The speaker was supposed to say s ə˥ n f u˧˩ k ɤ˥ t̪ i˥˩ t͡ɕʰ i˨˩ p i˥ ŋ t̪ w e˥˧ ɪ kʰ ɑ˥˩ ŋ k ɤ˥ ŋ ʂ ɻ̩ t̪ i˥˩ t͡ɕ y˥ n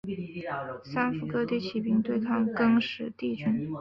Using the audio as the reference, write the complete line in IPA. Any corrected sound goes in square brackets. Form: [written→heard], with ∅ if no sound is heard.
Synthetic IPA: s [ə˥→a˥] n f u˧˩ k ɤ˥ t̪ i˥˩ t͡ɕʰ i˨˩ p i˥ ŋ t̪ w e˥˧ ɪ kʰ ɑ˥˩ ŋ k ɤ˥ ŋ ʂ ɻ̩ t̪ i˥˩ t͡ɕ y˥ n

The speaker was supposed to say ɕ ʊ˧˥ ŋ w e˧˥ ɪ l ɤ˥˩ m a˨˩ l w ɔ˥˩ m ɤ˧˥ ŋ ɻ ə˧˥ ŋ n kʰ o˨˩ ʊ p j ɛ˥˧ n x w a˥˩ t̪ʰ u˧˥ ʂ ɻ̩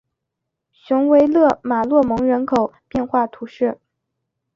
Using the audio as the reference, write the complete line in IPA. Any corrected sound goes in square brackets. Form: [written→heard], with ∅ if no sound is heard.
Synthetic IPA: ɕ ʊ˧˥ ŋ w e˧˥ ɪ l ɤ˥˩ m a˨˩ l w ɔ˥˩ m ɤ˧˥ ŋ ɻ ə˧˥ [ŋ→∅] n kʰ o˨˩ ʊ p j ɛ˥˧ n x w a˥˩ t̪ʰ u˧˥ ʂ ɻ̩

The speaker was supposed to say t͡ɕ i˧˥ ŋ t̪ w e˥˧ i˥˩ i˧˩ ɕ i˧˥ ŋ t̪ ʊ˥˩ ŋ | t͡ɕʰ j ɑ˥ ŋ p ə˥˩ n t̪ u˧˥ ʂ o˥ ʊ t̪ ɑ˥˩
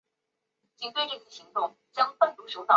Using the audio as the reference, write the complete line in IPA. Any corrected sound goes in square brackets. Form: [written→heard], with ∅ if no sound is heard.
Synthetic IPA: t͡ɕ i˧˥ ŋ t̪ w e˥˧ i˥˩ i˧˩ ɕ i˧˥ ŋ t̪ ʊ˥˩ ŋ | [t͡ɕʰ→t͡ɕ] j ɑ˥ ŋ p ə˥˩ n t̪ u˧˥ ʂ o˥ ʊ t̪ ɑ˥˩

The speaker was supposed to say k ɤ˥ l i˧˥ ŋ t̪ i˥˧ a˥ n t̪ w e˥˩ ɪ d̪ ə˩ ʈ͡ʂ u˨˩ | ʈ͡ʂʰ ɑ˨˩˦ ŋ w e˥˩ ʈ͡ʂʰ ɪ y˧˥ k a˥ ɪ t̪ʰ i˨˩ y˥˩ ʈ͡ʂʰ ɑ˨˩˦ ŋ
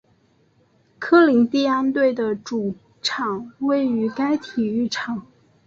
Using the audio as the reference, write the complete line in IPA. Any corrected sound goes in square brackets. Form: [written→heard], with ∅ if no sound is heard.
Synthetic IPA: [k→kʰ] ɤ˥ l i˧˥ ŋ t̪ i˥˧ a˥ n t̪ w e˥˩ ɪ d̪ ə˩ ʈ͡ʂ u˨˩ | ʈ͡ʂʰ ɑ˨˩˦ ŋ w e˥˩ [ʈ͡ʂʰ→∅] ɪ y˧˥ k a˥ ɪ t̪ʰ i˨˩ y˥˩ ʈ͡ʂʰ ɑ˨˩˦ ŋ

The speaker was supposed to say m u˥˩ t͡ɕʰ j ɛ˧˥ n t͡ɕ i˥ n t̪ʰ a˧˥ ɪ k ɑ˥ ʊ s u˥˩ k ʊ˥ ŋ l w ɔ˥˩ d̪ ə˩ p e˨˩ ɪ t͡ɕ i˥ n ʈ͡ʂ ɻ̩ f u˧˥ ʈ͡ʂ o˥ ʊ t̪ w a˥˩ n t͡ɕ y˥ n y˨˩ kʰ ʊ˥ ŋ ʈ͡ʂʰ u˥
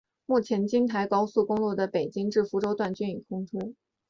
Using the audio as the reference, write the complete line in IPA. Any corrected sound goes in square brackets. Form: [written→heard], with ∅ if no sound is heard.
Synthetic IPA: m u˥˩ t͡ɕʰ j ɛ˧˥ n t͡ɕ i˥ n t̪ʰ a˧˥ ɪ k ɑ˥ ʊ s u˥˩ k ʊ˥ ŋ l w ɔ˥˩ d̪ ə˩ p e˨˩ ɪ t͡ɕ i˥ [n→ŋ] ʈ͡ʂ ɻ̩ f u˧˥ ʈ͡ʂ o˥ ʊ t̪ w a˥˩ n t͡ɕ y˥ n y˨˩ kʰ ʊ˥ ŋ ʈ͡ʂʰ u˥

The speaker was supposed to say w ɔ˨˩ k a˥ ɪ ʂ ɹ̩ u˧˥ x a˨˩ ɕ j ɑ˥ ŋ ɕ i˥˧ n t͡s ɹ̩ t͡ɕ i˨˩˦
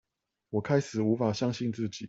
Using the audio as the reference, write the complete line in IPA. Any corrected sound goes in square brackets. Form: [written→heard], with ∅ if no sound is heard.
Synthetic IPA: w ɔ˨˩ [k→kʰ] a˥ ɪ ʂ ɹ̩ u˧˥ [x→f] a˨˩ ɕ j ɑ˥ ŋ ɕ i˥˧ n t͡s ɹ̩ t͡ɕ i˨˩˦

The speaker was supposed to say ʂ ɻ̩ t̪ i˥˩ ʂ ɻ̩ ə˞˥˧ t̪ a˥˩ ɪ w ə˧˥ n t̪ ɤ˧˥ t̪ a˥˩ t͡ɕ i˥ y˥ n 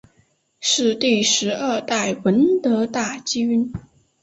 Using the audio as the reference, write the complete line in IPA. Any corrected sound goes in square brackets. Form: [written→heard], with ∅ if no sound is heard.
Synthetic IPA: ʂ ɻ̩ t̪ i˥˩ ʂ ɻ̩ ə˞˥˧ t̪ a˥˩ ɪ w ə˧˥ n t̪ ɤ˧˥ t̪ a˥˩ t͡ɕ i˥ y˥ n

